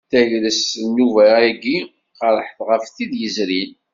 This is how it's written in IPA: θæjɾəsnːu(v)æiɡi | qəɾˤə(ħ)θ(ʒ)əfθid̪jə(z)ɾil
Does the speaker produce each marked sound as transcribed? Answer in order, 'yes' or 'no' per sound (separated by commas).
yes, yes, no, yes